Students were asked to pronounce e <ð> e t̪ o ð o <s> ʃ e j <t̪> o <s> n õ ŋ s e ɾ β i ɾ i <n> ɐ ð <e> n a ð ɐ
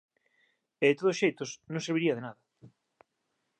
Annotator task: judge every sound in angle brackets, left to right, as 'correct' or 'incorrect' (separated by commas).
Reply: correct, correct, correct, correct, incorrect, correct